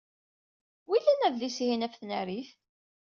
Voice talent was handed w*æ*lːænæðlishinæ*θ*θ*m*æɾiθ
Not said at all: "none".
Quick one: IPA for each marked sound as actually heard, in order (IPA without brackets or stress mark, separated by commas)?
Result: i, f, n